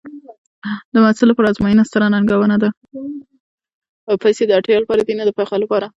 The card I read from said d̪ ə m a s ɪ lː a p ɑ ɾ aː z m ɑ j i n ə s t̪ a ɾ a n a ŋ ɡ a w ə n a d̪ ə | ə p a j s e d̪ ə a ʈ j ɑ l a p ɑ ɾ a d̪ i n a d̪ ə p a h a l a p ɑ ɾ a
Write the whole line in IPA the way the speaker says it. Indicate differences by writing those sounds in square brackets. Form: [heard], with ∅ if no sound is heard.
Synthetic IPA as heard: d̪ ə m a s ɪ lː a p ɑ ɾ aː z m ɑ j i n [a] s t̪ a ɾ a n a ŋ ɡ a w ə n a d̪ [a] | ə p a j s e d̪ ə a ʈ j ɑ l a p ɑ ɾ a d̪ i n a d̪ ə p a [x] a l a p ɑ ɾ a